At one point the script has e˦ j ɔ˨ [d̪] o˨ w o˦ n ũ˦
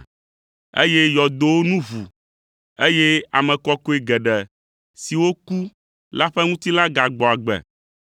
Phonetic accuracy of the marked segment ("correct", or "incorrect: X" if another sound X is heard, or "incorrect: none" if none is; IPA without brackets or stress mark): correct